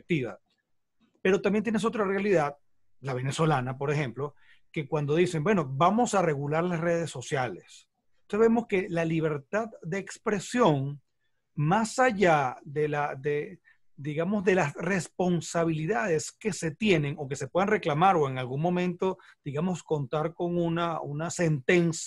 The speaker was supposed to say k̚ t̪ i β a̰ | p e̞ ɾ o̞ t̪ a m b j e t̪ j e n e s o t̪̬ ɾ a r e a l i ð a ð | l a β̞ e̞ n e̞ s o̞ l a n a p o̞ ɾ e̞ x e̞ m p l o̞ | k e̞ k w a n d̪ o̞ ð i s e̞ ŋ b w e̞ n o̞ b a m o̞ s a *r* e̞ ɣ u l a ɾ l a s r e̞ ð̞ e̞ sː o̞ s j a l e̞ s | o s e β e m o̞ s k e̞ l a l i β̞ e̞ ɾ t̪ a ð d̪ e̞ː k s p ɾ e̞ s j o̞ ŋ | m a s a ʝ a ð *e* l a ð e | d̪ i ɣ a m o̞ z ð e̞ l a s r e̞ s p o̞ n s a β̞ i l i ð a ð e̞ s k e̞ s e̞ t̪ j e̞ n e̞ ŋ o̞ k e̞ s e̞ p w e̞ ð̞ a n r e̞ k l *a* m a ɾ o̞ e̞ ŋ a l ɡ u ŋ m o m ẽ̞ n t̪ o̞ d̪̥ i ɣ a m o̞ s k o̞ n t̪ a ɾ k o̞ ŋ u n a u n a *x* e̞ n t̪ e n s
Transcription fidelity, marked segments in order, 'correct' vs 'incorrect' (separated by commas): correct, correct, correct, incorrect